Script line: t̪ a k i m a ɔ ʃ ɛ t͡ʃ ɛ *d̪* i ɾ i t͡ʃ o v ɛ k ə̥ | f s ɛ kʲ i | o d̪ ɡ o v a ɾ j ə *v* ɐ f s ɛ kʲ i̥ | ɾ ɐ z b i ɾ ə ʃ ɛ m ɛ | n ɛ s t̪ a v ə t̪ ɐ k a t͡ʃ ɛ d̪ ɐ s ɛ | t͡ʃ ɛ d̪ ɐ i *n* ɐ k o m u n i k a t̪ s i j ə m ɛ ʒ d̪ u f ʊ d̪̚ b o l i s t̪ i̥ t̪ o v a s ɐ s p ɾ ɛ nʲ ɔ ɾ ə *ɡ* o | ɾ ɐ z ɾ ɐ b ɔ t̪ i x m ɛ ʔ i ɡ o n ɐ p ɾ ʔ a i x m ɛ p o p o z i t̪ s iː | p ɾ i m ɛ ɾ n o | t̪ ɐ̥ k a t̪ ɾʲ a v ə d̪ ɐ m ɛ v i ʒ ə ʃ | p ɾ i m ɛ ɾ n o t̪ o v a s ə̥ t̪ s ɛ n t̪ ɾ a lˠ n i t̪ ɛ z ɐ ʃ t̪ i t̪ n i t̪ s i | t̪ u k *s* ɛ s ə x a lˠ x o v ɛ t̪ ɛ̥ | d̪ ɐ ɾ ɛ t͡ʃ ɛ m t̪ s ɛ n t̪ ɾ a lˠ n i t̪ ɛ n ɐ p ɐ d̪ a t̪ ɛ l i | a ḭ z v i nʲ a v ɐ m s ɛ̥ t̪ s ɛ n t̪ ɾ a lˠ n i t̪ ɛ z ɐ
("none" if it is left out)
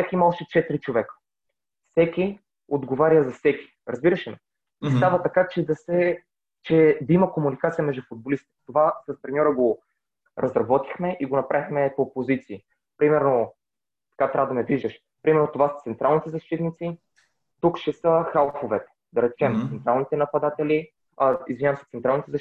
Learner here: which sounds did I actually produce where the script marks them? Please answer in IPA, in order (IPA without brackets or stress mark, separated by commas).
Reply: t̪, z, m, ɡ, ʃ